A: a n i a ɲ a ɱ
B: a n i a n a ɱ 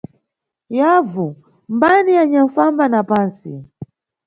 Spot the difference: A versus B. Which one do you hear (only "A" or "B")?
A